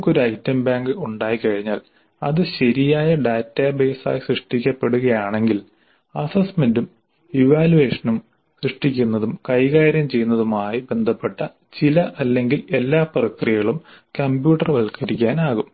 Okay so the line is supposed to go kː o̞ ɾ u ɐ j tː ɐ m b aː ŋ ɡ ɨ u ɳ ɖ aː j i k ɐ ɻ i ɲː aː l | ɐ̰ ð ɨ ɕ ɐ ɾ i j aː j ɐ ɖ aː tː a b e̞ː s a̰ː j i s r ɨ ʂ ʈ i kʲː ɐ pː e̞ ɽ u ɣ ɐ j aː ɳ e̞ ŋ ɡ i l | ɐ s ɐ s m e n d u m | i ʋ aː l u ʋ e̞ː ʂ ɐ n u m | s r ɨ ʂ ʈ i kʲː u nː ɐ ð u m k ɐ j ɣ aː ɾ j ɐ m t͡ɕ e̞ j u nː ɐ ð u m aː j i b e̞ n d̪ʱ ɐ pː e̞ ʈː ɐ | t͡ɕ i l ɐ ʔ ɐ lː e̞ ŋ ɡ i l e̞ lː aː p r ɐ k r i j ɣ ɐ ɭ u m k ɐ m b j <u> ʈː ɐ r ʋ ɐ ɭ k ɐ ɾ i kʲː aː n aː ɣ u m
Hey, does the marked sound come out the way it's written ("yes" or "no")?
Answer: no